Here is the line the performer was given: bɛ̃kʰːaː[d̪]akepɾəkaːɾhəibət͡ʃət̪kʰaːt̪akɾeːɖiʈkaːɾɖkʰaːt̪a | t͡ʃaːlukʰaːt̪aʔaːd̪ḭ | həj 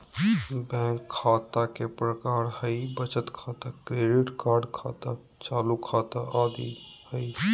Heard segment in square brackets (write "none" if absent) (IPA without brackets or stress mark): t̪